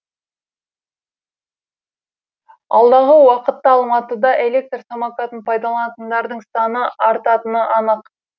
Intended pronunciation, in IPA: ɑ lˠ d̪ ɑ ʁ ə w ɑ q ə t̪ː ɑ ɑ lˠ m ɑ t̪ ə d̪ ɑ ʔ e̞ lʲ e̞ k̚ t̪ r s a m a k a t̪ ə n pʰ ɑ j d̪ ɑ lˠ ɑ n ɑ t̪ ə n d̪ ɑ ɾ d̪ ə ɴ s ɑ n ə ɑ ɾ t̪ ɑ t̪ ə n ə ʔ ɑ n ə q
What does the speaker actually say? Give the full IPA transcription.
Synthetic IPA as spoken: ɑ lˠ d̪ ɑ ʁ ə w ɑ q ə t̪ː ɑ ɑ lˠ m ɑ t̪ ə d̪ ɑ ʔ e̞ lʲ e̞ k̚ t̪ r s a m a k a t̪ ə n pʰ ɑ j d̪ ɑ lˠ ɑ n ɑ t̪ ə n d̪ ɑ ɾ d̪ ə ɴ s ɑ n ə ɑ ɾ t̪ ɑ t̪ ə n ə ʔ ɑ n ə q